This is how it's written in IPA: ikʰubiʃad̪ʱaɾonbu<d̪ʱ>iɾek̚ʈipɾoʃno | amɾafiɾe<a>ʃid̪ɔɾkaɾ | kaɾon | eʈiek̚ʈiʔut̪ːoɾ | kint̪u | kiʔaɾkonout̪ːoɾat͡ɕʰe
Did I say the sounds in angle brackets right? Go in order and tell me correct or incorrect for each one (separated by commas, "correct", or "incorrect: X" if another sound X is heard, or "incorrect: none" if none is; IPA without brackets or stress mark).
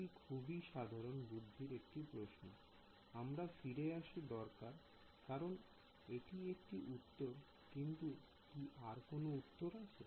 incorrect: d̪ʱː, correct